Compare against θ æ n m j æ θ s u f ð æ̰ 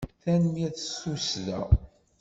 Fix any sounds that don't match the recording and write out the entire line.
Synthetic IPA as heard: θ æ n m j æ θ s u s ð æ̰